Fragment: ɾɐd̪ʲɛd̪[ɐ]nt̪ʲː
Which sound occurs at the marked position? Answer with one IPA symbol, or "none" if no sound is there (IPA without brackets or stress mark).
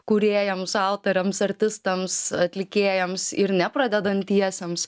ɐ